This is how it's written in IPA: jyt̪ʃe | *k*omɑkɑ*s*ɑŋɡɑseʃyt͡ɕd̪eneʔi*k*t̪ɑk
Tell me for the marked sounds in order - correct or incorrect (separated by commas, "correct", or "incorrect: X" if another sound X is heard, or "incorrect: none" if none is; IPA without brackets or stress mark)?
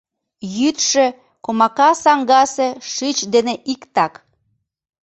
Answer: correct, correct, correct